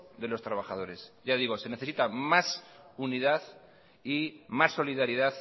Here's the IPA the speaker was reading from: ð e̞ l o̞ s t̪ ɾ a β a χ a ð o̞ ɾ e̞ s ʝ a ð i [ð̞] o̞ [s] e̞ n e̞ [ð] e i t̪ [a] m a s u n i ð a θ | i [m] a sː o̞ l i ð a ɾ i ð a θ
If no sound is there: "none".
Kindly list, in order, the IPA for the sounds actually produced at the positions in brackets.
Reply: ɣ̞, s, θ, a, m

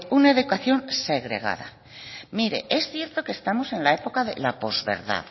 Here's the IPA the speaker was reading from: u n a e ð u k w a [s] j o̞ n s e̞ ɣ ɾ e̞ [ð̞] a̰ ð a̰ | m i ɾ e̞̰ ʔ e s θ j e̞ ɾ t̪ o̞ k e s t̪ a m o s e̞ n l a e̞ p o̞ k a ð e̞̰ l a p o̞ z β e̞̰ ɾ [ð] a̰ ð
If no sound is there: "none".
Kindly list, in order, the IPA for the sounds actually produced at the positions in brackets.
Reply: θ, ɣ̞, ð

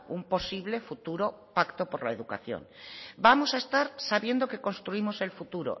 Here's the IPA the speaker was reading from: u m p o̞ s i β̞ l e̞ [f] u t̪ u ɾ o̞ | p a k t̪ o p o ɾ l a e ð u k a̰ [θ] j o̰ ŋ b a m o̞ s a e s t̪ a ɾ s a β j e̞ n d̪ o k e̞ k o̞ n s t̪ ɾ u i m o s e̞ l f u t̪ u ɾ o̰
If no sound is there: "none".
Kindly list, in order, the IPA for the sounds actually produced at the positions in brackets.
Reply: f, θ

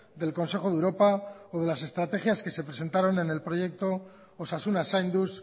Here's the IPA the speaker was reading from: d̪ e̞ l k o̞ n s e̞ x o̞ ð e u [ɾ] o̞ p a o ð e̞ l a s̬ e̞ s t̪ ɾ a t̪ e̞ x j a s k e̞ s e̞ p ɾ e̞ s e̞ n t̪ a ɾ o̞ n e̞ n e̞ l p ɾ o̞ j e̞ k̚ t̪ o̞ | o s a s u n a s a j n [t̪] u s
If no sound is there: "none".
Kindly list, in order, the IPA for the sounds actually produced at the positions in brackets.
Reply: ɾ, d̪

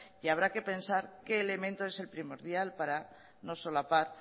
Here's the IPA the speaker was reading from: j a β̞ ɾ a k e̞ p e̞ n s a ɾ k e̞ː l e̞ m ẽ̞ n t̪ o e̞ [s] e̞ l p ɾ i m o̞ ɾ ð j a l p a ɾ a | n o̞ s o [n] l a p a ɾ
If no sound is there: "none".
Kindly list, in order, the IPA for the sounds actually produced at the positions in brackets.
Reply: s, none

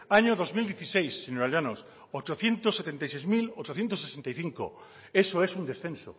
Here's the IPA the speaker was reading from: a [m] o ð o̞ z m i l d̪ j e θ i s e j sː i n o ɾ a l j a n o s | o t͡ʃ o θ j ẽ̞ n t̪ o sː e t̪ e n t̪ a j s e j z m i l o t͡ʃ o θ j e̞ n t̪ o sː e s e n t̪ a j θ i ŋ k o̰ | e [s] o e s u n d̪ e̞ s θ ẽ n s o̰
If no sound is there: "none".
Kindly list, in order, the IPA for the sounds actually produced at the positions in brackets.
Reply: ɲ, s

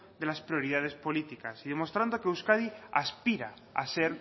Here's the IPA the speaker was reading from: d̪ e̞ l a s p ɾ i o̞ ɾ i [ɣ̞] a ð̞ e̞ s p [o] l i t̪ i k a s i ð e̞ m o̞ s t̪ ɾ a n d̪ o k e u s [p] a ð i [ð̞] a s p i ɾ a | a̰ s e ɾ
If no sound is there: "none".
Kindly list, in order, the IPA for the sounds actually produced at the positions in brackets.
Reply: ð̞, o, k, none

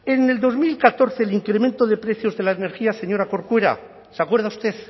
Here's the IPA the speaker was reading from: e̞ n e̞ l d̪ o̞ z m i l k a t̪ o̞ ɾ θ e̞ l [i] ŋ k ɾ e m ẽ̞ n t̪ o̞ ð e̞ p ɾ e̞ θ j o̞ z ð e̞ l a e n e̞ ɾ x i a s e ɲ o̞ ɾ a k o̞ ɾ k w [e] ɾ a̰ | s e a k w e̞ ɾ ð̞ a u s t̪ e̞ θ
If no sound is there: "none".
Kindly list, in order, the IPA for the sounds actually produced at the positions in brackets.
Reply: i, e

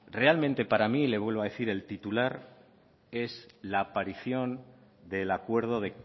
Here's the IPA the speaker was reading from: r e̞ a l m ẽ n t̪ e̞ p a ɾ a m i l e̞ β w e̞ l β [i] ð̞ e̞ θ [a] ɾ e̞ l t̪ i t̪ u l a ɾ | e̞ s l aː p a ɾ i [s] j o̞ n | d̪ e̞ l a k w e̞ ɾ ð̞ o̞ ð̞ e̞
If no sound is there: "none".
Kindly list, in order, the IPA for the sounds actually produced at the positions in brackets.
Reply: a, i, θ

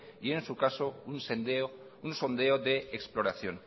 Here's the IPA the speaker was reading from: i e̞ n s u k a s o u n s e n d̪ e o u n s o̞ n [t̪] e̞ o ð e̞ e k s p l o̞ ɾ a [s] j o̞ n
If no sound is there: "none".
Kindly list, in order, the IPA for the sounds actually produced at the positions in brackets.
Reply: d̪, θ

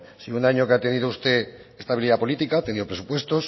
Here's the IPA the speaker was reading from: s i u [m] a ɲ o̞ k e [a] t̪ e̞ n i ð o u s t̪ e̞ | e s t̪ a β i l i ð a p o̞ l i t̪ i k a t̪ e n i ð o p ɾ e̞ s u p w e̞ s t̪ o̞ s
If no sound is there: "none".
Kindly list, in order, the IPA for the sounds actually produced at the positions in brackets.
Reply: n, a

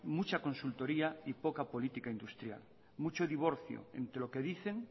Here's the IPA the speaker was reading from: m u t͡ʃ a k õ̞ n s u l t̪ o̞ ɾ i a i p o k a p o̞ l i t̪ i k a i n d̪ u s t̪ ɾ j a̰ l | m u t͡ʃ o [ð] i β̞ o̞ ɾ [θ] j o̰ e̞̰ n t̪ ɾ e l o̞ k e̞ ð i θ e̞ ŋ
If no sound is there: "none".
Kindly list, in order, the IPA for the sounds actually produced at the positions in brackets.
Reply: ð, θ

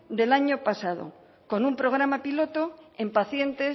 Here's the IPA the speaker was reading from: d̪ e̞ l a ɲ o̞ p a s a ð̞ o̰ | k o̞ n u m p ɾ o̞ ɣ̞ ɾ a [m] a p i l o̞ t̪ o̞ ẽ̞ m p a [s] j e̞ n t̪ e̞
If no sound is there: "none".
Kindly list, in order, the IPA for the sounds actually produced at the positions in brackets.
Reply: m, θ

